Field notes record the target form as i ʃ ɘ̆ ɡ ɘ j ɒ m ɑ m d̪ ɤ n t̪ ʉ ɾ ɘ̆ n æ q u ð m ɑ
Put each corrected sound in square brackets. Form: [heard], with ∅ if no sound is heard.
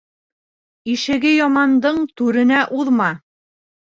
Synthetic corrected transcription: i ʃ ɘ̆ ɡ ɘ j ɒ m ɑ [n] d̪ ɤ [ɴ] t̪ ʉ ɾ ɘ̆ n æ [ʔ] u ð m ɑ